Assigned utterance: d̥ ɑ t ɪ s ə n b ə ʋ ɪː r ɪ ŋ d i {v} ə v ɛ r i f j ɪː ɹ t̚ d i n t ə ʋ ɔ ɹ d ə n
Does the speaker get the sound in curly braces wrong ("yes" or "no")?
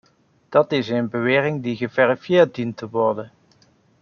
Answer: yes